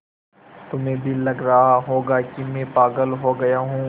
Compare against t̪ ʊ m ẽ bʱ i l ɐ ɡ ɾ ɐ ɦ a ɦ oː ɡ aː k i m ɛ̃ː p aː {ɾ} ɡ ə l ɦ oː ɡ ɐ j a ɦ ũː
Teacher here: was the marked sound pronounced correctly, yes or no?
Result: no